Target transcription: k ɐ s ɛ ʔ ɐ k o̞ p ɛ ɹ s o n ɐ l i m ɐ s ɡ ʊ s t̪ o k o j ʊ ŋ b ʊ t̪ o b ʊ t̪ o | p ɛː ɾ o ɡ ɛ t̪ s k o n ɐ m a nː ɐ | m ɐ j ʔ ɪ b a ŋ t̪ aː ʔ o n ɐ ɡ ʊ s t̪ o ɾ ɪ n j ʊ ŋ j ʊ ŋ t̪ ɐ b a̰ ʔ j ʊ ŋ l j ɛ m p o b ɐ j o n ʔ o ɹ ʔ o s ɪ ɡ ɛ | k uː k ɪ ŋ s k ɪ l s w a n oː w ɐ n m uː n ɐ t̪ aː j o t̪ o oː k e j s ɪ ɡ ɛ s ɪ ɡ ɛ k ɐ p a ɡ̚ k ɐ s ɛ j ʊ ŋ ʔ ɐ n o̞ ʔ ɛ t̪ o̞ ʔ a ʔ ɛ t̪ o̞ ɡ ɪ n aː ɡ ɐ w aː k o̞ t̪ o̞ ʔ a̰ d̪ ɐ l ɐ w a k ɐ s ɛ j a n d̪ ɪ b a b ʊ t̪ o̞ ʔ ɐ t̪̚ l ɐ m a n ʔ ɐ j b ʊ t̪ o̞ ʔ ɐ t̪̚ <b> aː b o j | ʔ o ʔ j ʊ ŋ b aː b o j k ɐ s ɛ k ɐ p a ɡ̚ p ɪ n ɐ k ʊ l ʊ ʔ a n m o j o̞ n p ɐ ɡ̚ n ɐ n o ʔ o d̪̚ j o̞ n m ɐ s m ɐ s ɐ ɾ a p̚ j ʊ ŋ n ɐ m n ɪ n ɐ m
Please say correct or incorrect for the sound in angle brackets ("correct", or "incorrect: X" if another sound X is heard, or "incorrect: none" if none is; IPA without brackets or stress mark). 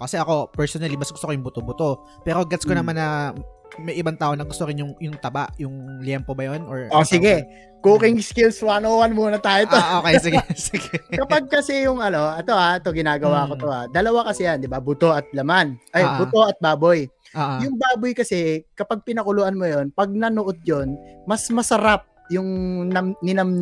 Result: correct